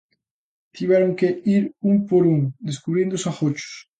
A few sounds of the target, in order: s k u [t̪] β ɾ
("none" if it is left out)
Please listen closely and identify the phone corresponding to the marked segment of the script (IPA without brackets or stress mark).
none